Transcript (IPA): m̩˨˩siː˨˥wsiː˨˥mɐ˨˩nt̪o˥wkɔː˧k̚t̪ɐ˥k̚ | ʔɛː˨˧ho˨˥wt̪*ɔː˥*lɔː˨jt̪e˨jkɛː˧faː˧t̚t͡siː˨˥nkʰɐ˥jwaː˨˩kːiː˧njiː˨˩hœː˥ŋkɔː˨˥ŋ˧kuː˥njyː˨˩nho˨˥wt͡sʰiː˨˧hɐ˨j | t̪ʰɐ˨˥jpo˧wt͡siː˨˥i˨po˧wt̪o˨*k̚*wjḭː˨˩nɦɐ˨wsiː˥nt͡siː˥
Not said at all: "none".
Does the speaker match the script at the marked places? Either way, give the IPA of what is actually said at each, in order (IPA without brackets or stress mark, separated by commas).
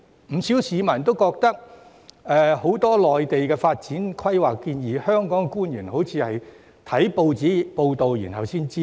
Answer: ɔː˥, none